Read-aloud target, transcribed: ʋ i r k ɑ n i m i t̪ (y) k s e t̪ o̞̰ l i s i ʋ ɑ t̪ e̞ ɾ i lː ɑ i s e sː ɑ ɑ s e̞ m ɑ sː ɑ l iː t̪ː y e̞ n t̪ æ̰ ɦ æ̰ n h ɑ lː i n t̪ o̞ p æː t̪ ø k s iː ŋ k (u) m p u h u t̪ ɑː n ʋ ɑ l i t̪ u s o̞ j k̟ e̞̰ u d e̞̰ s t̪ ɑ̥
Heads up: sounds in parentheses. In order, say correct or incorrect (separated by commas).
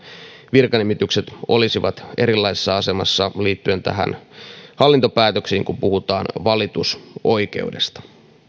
correct, correct